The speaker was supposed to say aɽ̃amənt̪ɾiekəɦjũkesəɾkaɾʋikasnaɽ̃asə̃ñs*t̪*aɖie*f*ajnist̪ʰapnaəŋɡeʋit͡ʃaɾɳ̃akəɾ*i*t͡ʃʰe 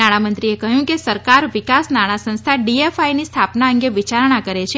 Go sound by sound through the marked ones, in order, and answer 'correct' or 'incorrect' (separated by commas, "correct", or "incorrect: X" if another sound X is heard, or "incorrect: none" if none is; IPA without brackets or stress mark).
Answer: incorrect: t̪ʰ, correct, incorrect: e